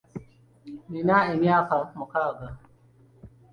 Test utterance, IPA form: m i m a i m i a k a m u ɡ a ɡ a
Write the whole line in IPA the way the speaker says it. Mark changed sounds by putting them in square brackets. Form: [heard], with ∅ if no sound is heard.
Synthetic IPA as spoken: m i [n] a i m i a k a m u [k] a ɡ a